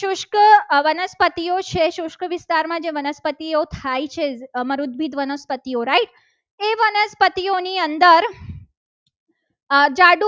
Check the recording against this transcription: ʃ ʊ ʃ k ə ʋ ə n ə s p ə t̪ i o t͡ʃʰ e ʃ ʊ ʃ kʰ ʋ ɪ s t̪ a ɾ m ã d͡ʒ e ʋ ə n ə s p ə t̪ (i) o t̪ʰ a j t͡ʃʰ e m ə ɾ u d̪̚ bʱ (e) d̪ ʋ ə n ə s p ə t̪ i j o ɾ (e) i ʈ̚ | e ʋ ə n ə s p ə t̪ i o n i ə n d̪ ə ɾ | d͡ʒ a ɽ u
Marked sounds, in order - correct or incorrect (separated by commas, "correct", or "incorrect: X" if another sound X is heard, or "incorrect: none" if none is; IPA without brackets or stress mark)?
correct, incorrect: i, incorrect: a